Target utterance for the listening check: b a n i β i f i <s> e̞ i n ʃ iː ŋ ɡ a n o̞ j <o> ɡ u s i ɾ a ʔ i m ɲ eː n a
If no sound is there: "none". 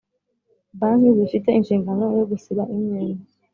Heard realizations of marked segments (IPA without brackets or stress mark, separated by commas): t, o